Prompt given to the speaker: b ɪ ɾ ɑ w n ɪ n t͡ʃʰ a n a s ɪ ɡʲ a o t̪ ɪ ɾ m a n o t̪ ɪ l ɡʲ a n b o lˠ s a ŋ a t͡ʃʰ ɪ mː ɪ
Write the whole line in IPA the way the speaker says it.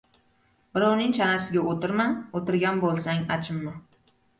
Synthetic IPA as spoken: b ɪ ɾ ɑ w n ɪ ŋ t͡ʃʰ a n a s ɪ ɡʲ a o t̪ ɪ ɾ m a n o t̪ ɪ ɾ ɡʲ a n b o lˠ s a ŋ a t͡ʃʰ ɪ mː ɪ

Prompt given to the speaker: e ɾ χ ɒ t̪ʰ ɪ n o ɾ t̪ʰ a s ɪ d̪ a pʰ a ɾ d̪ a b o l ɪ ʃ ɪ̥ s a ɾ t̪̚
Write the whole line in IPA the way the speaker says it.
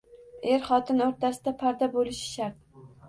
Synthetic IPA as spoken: e ɾ χ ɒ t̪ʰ ɪ n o ɾ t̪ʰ a s ɪ d̪ a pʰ a ɾ d̪ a b o l ɪ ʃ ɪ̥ ʃ a ɾ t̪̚

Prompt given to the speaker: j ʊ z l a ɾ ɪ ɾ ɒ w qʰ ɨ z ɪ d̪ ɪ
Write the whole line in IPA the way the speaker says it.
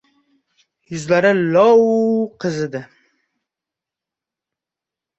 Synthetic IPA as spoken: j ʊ z l a ɾ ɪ l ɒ w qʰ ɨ z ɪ d̪ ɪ

